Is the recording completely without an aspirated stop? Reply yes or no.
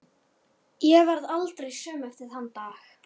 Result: yes